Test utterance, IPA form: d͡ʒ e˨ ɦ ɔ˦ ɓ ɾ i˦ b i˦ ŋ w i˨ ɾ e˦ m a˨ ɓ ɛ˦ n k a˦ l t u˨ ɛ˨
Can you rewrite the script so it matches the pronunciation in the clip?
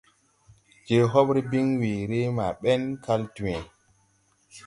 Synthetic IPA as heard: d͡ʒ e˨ ɦ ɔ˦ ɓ ɾ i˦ b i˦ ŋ w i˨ ɾ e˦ m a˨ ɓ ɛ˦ n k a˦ l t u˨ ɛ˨